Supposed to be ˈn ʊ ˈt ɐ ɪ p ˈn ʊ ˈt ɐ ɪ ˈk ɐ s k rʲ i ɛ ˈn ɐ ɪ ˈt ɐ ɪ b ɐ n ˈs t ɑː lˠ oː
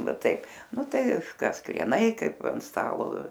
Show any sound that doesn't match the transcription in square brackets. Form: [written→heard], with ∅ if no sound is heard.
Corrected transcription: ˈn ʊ ˈt ɐ ɪ p ˈn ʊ ˈt ɐ ɪ ˈk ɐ s k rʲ i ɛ ˈn ɐ ɪ [ˈt→ˈk] ɐ ɪ [b→p] ɐ n ˈs t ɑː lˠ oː